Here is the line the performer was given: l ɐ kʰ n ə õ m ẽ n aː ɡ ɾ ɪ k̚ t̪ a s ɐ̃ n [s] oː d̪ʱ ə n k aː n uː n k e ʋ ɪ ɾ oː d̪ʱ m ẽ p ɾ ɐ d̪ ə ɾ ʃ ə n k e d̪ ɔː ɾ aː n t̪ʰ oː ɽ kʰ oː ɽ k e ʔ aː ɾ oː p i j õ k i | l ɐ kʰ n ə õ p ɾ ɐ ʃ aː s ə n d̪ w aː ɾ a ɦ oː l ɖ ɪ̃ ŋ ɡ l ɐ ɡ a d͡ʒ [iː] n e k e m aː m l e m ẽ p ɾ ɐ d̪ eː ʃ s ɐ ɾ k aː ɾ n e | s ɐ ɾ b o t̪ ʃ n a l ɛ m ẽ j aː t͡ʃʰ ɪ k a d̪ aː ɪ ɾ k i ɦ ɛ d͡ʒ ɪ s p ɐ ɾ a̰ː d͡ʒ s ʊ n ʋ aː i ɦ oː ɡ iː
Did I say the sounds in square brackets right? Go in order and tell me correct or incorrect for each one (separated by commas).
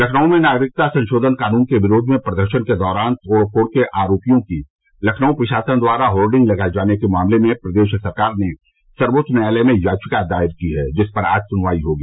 incorrect, incorrect